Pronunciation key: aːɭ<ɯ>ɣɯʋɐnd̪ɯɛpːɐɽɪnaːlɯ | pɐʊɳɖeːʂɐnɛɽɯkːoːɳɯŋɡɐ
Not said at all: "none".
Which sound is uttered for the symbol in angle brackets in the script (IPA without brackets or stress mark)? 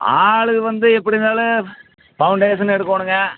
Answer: ɯ